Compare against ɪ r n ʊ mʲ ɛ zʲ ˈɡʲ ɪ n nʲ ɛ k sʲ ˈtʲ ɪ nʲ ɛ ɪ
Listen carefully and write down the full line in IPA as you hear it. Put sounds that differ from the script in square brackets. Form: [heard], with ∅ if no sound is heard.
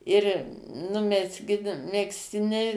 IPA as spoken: ɪ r n ʊ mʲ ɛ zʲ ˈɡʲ ɪ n [mʲ] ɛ k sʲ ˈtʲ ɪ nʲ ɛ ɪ